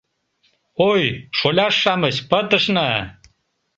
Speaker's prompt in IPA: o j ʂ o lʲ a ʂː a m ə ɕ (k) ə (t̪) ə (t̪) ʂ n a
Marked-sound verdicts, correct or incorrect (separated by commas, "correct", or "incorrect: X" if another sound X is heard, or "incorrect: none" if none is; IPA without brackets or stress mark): incorrect: p, correct, incorrect: none